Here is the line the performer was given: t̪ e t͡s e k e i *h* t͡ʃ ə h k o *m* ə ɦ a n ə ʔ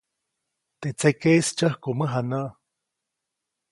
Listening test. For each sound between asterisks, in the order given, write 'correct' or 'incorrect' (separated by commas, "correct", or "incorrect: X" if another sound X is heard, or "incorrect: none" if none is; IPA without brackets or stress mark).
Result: incorrect: s, correct